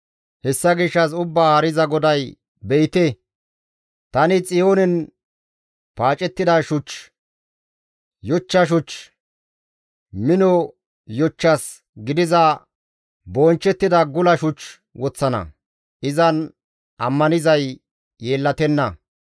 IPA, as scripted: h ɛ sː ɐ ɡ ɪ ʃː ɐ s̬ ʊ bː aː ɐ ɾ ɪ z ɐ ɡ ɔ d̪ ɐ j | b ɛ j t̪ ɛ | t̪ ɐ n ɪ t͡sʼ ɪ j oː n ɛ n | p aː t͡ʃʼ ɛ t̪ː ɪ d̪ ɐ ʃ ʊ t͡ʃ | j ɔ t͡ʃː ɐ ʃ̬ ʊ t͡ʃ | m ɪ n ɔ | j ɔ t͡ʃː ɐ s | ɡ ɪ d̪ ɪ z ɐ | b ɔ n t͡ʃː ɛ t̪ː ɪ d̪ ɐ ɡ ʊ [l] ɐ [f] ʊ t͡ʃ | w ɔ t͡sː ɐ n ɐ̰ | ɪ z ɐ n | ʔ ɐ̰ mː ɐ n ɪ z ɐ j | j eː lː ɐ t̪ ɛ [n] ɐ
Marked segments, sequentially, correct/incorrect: correct, incorrect: ʃ, incorrect: nː

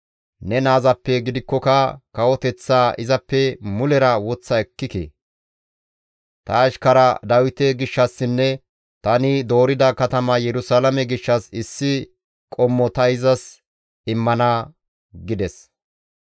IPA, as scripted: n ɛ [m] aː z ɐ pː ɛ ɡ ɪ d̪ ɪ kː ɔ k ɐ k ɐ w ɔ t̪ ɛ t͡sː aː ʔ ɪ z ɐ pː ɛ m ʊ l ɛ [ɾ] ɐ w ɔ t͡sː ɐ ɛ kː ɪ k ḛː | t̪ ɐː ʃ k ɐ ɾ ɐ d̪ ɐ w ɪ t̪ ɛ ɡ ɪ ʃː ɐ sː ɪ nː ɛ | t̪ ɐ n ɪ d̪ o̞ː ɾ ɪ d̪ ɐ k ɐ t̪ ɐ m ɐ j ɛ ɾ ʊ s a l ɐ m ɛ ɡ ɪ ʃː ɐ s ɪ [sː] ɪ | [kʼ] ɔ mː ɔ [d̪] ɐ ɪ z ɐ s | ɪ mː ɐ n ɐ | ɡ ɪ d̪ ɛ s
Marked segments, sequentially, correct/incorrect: incorrect: n, correct, correct, correct, incorrect: t̪

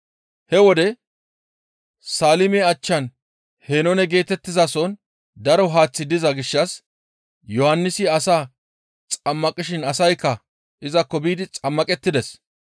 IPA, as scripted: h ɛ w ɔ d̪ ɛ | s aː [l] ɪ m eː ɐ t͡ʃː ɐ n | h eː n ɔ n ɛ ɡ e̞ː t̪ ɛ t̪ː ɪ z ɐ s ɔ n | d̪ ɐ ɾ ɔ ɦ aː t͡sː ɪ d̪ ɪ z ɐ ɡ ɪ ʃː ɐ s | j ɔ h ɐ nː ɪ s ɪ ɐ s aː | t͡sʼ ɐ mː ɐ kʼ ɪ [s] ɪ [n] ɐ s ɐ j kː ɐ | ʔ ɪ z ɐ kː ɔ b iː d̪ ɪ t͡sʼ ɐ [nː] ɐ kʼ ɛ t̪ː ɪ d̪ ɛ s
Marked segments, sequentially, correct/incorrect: correct, incorrect: ʃ, correct, incorrect: mː

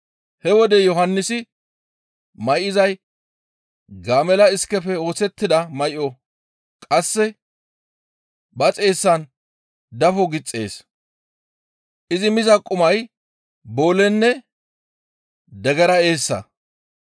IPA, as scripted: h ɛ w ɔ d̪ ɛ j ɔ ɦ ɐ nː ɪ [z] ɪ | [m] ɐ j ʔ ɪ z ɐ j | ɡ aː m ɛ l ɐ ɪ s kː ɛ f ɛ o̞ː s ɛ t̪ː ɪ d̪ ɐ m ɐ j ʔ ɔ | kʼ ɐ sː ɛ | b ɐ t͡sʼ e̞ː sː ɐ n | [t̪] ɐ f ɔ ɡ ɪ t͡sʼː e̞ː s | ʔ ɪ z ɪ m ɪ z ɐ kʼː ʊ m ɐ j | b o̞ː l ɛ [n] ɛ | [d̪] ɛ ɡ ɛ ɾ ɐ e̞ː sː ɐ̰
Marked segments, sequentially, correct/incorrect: incorrect: s, correct, incorrect: d̪, incorrect: nː, correct

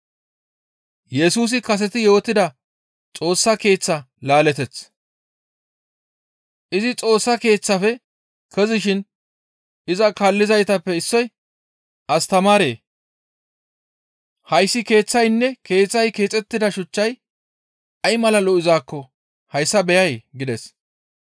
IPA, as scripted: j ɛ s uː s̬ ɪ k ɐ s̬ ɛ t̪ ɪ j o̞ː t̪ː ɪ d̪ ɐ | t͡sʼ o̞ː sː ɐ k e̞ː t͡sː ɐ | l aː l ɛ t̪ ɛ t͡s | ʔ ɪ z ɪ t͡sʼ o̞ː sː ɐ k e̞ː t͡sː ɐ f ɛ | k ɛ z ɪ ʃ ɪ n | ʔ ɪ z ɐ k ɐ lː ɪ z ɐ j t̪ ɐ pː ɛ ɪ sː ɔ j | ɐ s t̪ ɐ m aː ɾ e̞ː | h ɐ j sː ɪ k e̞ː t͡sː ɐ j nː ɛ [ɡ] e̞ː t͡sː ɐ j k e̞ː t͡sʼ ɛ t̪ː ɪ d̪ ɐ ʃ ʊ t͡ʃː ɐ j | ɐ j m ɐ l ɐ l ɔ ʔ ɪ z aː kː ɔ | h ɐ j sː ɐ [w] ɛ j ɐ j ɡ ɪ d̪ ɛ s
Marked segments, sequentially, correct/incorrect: incorrect: k, incorrect: b

